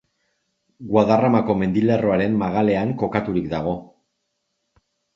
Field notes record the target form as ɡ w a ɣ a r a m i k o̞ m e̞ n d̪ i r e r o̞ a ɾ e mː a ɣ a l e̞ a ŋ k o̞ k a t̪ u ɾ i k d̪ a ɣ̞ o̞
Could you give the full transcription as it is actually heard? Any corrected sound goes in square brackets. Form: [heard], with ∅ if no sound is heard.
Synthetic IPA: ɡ w a [ð] a r a m [a] k o̞ m e̞ n d̪ i [l] e r o̞ a ɾ e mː a ɣ a l e̞ a ŋ k o̞ k a t̪ u ɾ i k d̪ a ɣ̞ o̞